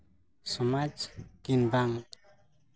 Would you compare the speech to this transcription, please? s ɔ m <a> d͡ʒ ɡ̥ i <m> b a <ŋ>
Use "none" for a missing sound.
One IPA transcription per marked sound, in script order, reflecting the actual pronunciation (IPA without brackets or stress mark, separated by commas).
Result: a, n, ŋ